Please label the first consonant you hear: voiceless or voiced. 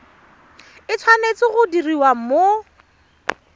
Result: voiceless